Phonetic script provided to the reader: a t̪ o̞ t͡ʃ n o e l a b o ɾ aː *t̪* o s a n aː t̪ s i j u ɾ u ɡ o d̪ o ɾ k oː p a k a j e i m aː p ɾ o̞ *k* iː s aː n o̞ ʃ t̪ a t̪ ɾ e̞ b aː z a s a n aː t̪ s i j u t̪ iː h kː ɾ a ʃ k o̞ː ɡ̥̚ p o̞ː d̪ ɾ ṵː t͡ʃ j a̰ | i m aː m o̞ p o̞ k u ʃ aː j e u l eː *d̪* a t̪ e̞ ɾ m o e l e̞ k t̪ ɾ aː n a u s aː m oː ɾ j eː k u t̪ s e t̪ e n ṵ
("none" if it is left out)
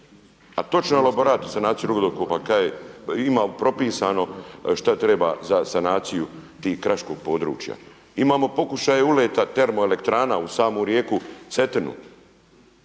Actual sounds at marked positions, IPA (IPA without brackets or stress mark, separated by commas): t̪, p, t̪